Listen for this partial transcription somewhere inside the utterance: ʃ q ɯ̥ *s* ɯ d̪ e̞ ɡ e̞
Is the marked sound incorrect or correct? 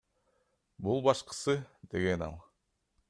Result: correct